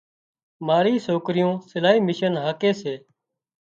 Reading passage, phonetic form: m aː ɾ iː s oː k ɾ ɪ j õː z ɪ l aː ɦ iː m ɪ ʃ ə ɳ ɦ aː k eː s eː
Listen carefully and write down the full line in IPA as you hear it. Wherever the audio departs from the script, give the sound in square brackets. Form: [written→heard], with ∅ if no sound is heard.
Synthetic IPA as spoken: m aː ɾ iː s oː k ɾ ɪ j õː [z→s] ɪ l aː ɦ iː m ɪ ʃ ə [ɳ→n] ɦ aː k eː s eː